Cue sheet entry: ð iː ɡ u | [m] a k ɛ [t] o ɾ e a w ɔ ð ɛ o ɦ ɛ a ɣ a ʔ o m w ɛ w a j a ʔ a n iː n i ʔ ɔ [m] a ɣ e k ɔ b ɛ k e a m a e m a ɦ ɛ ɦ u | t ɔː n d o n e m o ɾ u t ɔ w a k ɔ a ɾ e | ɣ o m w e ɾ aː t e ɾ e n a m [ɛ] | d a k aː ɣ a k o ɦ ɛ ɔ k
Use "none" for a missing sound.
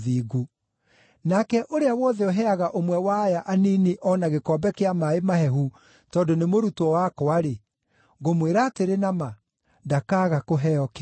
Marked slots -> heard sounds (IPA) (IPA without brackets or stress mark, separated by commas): n, ʔ, n, a